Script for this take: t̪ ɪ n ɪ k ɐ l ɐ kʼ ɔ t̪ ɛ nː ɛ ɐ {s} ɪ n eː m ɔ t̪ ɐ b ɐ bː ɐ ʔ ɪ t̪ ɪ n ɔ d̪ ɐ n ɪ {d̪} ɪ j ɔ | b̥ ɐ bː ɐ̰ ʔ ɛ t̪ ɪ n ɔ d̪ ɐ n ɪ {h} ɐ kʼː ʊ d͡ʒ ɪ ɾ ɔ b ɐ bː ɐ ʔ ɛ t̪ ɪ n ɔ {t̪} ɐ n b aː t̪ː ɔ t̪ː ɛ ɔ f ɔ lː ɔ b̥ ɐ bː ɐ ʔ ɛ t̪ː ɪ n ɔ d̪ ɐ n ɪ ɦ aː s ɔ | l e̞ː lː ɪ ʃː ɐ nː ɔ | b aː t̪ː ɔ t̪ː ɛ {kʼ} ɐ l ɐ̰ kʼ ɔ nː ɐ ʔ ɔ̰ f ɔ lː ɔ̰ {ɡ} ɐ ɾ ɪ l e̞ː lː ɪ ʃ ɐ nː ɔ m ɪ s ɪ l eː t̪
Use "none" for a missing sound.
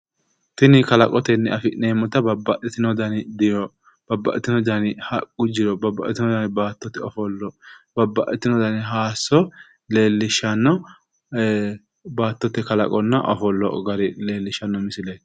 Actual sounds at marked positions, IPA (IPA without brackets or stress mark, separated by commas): f, d̪, h, d̪, k, ɡ